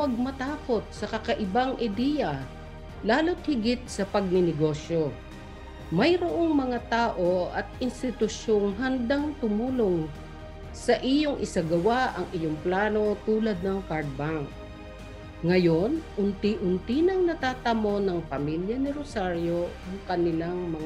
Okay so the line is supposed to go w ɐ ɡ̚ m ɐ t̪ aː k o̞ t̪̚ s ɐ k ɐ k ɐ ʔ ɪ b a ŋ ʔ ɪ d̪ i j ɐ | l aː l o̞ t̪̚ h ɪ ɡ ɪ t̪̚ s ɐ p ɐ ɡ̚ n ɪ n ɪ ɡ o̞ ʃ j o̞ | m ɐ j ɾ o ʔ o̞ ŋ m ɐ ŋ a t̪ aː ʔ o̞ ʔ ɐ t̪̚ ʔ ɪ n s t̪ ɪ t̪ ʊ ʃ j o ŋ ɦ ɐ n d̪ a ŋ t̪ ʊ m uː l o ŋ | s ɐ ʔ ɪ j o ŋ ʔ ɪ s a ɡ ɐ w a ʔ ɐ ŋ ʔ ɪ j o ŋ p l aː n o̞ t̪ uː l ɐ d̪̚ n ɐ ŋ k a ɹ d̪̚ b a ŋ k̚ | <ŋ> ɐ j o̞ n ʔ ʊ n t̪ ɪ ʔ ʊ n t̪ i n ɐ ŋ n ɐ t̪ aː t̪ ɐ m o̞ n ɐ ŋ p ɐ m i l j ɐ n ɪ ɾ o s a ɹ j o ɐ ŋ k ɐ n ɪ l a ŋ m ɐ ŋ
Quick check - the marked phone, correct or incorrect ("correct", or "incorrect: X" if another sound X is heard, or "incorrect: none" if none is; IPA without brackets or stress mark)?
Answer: correct